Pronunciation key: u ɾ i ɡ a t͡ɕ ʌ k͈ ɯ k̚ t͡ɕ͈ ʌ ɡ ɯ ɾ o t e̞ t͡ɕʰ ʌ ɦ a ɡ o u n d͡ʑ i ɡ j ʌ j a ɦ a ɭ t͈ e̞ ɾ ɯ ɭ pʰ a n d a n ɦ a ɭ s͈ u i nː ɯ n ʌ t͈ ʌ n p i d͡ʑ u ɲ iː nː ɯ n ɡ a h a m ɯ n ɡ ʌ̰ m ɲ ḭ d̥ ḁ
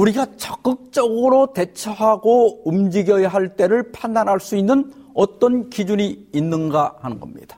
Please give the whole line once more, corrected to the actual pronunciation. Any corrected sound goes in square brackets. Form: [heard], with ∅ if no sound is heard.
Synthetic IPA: u ɾ i ɡ a t͡ɕ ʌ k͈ ɯ k̚ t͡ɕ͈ ʌ ɡ ɯ ɾ o t e̞ t͡ɕʰ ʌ ɦ a ɡ o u [m] d͡ʑ i ɡ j ʌ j a ɦ a ɭ t͈ e̞ ɾ ɯ ɭ pʰ a n d a n ɦ a ɭ s͈ u i nː ɯ n ʌ t͈ ʌ n [k] i d͡ʑ u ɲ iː nː ɯ n ɡ a h a [n] ɯ n ɡ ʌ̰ m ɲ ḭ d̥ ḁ